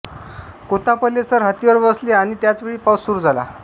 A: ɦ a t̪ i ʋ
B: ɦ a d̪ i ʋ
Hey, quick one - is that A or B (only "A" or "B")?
A